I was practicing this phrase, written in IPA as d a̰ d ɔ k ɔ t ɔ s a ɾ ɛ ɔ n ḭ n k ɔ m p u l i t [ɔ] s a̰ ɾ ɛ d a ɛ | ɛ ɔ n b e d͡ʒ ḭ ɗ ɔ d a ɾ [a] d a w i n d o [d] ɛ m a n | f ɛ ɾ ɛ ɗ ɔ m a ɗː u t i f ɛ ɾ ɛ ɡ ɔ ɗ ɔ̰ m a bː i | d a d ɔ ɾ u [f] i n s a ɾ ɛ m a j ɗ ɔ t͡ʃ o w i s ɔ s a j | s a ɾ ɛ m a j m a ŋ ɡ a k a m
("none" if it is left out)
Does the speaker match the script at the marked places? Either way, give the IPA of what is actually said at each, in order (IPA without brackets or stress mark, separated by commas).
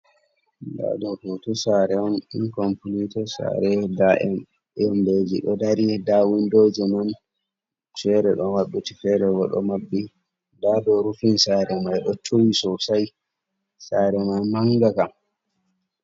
ɔ, i, d͡ʒ, f